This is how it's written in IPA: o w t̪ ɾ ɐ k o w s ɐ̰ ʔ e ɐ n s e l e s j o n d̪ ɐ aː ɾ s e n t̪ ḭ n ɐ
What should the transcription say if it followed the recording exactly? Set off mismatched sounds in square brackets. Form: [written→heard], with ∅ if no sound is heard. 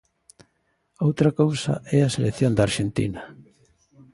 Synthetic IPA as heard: o w t̪ ɾ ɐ k o w s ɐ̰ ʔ [e→ɛ] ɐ [n→∅] s e l e [s→θ] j o n d̪ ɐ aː ɾ [s→ʃ] e n t̪ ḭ n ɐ